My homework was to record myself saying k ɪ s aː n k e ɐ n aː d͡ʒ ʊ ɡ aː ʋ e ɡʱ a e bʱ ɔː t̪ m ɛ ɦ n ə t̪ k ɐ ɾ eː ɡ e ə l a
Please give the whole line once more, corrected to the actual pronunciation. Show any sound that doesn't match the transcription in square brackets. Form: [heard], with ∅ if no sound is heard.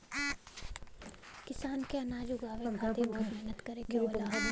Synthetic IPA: k ɪ s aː n k e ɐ n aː d͡ʒ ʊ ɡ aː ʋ e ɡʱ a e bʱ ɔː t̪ m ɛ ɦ n ə t̪ k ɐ ɾ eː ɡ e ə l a

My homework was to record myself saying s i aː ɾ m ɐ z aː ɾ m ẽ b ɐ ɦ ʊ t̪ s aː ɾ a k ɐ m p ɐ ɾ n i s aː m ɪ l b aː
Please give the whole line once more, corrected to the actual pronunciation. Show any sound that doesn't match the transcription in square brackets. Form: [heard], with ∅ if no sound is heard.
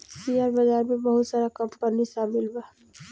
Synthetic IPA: s i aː ɾ [b] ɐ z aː ɾ m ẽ b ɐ ɦ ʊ t̪ s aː ɾ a k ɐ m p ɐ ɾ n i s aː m ɪ l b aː

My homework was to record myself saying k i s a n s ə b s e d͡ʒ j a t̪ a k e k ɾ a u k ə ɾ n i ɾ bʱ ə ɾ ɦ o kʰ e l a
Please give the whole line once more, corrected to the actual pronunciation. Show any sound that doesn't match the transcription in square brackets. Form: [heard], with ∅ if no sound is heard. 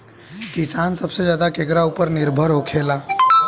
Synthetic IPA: k i s a n s ə b s e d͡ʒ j a [d̪] a k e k ɾ a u [p] ə ɾ n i ɾ bʱ ə ɾ ɦ o kʰ e l a

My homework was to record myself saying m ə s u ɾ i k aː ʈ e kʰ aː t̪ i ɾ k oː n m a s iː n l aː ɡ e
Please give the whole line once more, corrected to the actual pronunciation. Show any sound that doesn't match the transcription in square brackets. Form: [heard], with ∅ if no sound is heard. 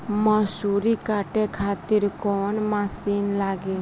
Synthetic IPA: m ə s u ɾ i k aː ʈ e kʰ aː t̪ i ɾ k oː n m a s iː n l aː ɡ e

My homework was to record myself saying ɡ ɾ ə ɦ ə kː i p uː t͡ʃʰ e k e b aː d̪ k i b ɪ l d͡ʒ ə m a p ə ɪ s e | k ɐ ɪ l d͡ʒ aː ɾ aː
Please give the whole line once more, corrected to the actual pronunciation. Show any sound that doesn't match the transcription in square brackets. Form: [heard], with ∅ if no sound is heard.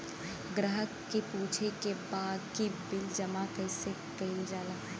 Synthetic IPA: ɡ ɾ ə ɦ ə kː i p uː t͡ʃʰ e k e b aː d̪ k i b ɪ l d͡ʒ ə m a [k] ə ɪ s e | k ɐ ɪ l d͡ʒ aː [l] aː

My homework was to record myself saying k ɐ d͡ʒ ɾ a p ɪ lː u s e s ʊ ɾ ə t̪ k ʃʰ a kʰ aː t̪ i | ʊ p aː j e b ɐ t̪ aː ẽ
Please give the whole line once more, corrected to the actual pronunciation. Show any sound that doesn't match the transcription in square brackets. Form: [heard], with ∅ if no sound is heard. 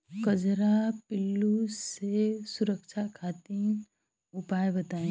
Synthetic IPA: k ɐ d͡ʒ ɾ a p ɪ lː u s e s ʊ ɾ ə [∅] k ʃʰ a kʰ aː t̪ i | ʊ p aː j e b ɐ t̪ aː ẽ

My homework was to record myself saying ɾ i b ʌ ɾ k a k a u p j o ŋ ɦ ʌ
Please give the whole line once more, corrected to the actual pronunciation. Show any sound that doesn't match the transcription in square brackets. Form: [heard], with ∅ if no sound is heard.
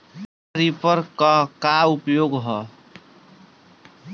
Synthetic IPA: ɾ i [p] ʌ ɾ k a k a u p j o [ɡ] ɦ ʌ

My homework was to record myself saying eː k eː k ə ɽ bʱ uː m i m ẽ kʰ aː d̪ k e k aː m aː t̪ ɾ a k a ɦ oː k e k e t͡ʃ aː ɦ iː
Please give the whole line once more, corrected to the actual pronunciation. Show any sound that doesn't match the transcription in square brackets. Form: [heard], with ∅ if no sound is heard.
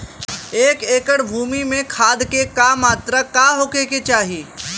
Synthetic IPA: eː k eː k ə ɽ bʱ uː m i m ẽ kʰ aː d̪ k e k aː m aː t̪ ɾ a k a ɦ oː k e k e t͡ʃ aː ɦ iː

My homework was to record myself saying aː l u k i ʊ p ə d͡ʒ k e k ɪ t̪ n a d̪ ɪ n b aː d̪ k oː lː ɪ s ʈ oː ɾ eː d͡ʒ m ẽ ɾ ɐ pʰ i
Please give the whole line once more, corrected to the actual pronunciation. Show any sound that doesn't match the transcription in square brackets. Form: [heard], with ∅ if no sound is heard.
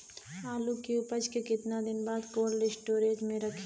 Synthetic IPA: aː l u k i ʊ p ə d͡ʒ k e k ɪ t̪ n a d̪ ɪ n b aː d̪ k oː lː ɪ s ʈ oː ɾ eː d͡ʒ m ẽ ɾ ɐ [kʰ] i

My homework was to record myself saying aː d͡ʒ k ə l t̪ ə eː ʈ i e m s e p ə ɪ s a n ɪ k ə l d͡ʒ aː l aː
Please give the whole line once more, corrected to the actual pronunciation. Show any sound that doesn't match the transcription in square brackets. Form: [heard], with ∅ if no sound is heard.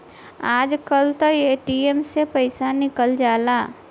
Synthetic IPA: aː d͡ʒ k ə l t̪ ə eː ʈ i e m s e p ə ɪ s a n ɪ k ə l d͡ʒ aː l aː

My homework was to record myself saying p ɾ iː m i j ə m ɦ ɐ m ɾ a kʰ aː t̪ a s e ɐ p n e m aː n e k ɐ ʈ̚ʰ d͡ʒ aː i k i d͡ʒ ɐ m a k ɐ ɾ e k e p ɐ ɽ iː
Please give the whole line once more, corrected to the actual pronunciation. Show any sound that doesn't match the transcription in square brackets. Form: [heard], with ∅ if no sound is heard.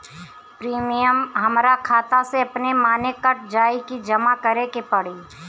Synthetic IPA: p ɾ iː m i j ə m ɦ ɐ m ɾ a kʰ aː t̪ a s e ɐ p n e m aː n e k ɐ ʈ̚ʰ d͡ʒ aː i k i d͡ʒ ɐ m a k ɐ ɾ e k e p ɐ ɽ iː

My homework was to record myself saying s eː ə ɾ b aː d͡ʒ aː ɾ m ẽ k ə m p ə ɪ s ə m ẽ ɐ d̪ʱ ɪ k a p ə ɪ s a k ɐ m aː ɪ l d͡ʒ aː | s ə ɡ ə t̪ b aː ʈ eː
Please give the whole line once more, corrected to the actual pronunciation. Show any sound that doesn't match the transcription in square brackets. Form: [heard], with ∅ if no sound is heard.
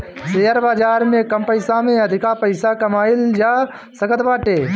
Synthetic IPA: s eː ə ɾ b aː d͡ʒ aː ɾ m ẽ k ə m p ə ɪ s [a] m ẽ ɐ d̪ʱ ɪ k a p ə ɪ s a k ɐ m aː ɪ l d͡ʒ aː | s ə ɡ ə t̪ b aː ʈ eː

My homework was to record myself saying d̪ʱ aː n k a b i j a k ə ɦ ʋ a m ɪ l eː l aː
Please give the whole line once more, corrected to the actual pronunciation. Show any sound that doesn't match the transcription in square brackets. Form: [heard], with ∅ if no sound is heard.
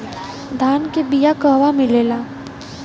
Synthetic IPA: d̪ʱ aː n k [e] b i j a k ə ɦ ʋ a m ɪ l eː l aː

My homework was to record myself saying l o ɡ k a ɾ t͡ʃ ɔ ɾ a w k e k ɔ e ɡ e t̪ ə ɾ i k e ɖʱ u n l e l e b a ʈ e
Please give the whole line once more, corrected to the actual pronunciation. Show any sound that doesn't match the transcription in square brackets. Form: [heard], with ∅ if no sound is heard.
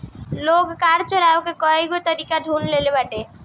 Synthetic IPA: l o ɡ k a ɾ t͡ʃ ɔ ɾ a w k e k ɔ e ɡ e t̪ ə ɾ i k [a] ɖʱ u n l e l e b a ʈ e

